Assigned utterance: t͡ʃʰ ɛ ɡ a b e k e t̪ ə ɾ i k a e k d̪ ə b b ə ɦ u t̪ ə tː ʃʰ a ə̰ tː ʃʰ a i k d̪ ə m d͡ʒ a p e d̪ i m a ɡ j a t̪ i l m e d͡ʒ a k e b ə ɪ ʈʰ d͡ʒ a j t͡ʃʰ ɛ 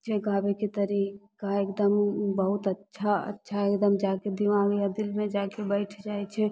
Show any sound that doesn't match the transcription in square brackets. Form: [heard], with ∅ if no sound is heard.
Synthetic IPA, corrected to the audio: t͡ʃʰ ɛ ɡ a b e k e t̪ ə ɾ i k a e k d̪ ə [m] b ə ɦ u t̪ ə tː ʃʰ a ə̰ tː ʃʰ a [e] k d̪ ə m d͡ʒ a [k] e d̪ i m a ɡ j a [d̪] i l m e d͡ʒ a k e b ə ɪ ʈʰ d͡ʒ a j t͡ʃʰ ɛ